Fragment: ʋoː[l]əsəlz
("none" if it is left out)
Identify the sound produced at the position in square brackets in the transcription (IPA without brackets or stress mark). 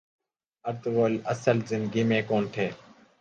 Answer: l